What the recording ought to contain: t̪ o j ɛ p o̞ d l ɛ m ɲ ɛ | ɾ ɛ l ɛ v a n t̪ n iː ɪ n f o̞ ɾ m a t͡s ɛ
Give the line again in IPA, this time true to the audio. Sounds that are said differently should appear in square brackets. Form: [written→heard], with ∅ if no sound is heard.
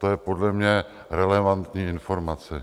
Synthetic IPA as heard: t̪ o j ɛ p o̞ d l ɛ m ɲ ɛ | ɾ ɛ l ɛ v a n t̪ [n→ɲ] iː ɪ n f o̞ ɾ m a t͡s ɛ